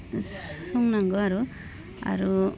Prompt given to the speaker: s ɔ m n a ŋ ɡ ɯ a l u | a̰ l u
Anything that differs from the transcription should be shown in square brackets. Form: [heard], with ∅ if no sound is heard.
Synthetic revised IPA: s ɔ [ŋ] n a ŋ ɡ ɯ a [ɾ] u | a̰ [ɾ] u